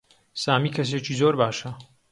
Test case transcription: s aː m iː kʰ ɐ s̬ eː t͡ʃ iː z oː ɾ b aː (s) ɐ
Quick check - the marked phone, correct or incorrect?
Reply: incorrect